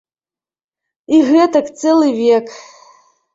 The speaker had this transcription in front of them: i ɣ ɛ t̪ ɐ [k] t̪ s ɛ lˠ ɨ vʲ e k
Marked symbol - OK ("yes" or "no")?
yes